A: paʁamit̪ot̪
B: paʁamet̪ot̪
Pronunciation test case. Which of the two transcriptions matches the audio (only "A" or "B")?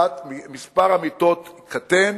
A